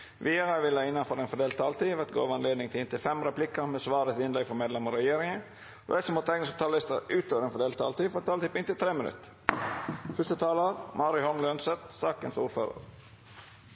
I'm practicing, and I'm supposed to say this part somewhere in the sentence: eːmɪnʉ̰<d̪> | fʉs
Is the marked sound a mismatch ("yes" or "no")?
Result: yes